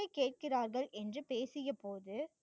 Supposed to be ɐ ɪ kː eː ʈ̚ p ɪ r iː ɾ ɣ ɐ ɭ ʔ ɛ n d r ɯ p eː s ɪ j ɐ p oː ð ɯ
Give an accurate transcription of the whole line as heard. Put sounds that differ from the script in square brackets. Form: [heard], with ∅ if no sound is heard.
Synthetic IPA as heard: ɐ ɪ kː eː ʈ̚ [k] ɪ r [aː] ɾ ɣ ɐ ɭ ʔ ɛ n d r ɯ p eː s ɪ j ɐ p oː ð ɯ